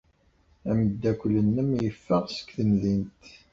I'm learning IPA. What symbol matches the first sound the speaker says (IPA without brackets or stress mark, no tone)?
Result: æ